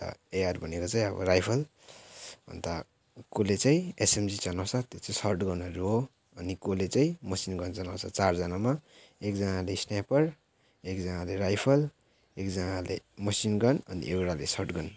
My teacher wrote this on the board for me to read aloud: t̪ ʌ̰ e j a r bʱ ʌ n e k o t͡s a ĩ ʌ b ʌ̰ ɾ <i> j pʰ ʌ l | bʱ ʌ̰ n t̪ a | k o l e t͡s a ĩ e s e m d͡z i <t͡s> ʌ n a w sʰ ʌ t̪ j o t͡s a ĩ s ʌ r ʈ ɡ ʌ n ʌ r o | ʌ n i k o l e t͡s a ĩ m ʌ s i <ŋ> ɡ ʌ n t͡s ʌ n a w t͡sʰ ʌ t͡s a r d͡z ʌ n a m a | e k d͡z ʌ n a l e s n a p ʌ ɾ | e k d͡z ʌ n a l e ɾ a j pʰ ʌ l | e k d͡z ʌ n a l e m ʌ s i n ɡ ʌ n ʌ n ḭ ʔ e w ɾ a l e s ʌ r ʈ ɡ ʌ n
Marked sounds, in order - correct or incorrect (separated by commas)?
incorrect, correct, incorrect